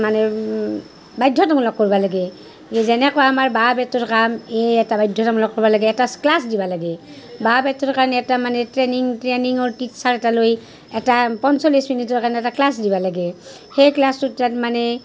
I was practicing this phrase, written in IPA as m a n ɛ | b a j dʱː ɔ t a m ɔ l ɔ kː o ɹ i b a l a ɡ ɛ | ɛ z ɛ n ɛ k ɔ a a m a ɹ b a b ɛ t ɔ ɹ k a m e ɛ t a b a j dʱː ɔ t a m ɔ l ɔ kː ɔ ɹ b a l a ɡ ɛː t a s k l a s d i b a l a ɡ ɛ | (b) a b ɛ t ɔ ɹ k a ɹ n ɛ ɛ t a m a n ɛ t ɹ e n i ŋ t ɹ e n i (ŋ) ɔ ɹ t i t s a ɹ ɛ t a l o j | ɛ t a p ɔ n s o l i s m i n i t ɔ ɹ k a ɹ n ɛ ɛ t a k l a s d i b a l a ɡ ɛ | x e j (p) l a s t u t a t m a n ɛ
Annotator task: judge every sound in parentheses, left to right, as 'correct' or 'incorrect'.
correct, correct, incorrect: k

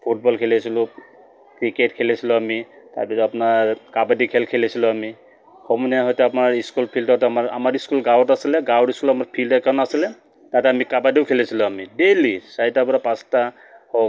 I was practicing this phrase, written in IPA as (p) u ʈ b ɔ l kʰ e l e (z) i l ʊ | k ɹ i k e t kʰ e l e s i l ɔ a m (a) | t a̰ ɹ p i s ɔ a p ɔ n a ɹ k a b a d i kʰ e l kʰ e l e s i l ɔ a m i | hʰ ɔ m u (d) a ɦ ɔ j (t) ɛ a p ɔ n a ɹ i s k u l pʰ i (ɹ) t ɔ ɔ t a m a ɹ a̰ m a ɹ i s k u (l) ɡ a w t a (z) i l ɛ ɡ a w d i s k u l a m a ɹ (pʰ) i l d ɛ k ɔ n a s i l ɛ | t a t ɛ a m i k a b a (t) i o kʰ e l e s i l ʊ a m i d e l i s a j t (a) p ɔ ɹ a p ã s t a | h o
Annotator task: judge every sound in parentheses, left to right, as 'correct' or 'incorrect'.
incorrect: pʰ, incorrect: s, incorrect: i, incorrect: n, correct, incorrect: l, correct, incorrect: s, correct, incorrect: d, correct

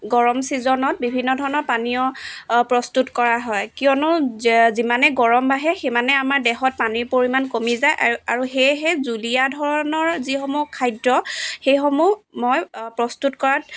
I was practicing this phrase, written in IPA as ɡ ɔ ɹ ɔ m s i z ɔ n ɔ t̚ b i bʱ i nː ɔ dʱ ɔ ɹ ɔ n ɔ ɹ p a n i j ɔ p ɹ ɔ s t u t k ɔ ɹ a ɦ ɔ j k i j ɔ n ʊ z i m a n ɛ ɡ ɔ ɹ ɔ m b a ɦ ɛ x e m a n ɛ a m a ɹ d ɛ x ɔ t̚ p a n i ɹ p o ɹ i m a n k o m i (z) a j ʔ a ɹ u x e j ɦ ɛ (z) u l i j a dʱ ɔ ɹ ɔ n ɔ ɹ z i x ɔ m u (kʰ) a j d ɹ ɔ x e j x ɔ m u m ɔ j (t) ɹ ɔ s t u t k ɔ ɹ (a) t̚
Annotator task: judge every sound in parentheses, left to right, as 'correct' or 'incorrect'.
correct, correct, correct, incorrect: p, correct

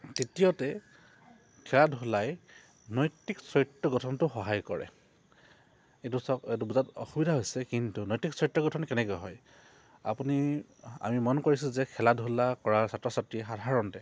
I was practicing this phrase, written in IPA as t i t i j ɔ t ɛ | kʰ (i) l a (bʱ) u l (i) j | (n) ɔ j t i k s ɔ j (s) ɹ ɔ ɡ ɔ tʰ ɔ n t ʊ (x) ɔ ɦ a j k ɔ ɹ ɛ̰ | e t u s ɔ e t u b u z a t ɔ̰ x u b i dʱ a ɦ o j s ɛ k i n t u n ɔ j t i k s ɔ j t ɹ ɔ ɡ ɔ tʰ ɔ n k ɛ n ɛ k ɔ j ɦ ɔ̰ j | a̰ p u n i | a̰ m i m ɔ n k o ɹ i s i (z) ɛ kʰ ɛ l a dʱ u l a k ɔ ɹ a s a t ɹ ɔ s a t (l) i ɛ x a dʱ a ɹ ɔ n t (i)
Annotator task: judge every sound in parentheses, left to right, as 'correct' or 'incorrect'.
incorrect: ɛ, incorrect: dʱ, incorrect: a, correct, incorrect: t, correct, correct, incorrect: ɹ, incorrect: ɛ

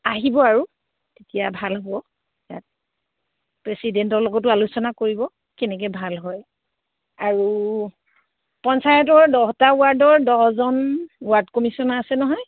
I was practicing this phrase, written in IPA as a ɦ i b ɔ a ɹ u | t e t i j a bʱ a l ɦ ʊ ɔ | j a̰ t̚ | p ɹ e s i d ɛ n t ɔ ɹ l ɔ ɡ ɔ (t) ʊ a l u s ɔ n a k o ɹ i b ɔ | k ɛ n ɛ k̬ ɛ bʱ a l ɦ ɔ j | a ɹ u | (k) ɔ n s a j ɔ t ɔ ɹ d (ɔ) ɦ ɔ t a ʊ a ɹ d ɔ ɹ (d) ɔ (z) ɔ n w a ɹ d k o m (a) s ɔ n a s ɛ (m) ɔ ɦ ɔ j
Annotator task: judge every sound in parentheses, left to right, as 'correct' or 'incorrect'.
correct, incorrect: p, correct, correct, correct, incorrect: i, incorrect: n

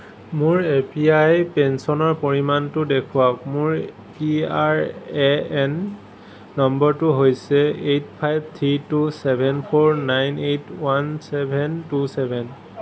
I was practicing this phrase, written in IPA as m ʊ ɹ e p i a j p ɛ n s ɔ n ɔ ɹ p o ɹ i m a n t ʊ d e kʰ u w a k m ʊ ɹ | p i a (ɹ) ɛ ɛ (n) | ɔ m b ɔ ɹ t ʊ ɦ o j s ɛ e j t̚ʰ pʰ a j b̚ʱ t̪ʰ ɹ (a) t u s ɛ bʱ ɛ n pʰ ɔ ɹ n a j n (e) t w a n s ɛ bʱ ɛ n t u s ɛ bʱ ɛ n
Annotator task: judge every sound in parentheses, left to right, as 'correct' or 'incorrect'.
correct, incorrect: nː, incorrect: i, correct

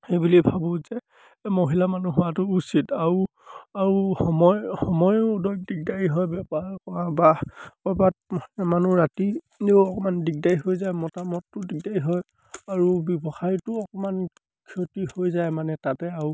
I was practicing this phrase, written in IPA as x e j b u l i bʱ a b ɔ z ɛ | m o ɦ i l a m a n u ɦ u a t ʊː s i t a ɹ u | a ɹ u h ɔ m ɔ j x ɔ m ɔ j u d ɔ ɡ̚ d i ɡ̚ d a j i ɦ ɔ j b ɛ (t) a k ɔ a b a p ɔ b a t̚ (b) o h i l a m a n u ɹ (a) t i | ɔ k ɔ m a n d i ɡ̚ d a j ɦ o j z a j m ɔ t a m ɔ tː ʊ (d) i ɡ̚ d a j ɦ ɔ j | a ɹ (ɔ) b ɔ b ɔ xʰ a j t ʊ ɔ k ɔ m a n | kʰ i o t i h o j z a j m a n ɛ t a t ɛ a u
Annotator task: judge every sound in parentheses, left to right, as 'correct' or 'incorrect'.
incorrect: p, incorrect: m, correct, correct, incorrect: u

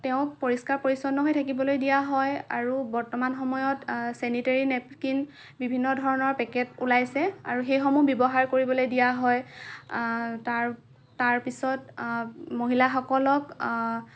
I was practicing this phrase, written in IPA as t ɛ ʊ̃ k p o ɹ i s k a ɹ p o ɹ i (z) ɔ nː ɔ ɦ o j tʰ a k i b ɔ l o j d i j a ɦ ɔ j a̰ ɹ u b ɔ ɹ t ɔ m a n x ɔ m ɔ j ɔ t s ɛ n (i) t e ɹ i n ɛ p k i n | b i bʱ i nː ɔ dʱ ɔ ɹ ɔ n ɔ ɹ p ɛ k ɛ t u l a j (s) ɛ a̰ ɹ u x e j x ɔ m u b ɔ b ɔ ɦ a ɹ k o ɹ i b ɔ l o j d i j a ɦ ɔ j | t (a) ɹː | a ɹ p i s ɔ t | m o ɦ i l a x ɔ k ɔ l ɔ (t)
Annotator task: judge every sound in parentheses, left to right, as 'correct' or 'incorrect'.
incorrect: s, correct, correct, correct, incorrect: k

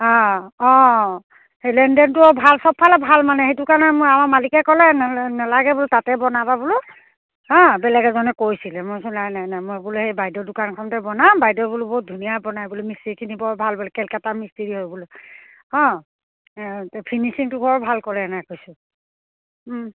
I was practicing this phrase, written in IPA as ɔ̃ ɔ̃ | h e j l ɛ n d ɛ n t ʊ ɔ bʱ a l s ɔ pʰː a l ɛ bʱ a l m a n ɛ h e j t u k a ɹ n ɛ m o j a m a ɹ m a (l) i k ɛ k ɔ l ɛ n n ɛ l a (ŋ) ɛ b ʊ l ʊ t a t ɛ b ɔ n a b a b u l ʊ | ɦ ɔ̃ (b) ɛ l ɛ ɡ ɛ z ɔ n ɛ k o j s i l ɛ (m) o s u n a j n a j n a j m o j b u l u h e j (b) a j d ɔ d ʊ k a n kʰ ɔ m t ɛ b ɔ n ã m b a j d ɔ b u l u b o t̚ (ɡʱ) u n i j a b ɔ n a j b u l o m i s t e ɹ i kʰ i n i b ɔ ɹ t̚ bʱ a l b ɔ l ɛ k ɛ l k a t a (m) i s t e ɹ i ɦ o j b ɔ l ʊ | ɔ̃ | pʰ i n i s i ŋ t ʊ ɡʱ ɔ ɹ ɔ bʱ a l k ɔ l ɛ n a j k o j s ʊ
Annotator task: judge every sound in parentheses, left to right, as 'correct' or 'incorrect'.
correct, incorrect: ɡ, correct, correct, correct, incorrect: dʱ, correct

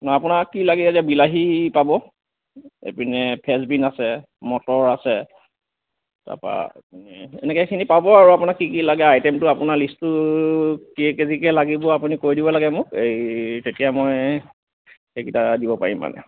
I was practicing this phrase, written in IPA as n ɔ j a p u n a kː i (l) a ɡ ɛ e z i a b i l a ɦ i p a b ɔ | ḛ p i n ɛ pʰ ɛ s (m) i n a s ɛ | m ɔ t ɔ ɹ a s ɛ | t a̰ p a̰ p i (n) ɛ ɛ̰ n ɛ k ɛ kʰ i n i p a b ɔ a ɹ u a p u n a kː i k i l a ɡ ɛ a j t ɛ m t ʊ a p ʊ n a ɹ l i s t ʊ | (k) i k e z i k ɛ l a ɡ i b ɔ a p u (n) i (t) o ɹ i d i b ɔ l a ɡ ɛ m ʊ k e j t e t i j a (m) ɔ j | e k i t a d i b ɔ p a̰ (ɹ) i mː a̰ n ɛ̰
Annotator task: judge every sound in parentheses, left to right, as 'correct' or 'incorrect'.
correct, incorrect: b, correct, correct, correct, incorrect: k, correct, correct

